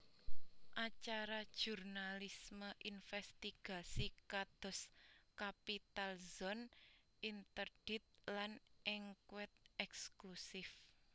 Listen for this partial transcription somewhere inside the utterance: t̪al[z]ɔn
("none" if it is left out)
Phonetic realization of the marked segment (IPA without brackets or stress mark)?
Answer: z